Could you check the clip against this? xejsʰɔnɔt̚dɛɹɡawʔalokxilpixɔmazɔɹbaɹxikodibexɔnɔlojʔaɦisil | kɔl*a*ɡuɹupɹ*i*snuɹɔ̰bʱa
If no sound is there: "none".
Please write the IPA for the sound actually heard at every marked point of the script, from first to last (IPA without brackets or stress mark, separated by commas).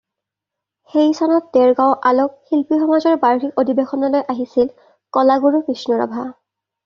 a, i